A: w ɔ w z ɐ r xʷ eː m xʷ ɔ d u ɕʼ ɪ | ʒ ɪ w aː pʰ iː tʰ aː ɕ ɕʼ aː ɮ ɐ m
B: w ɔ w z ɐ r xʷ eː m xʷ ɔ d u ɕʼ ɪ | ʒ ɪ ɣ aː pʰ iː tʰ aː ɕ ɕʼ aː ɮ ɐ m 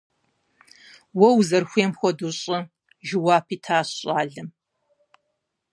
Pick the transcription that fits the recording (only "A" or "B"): A